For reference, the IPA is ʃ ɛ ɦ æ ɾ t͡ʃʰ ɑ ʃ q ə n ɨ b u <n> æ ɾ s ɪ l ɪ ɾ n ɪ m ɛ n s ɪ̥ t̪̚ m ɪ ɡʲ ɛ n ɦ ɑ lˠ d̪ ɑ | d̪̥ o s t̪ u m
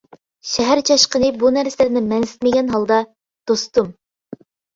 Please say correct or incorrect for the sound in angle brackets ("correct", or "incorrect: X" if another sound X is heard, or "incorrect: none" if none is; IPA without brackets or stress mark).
correct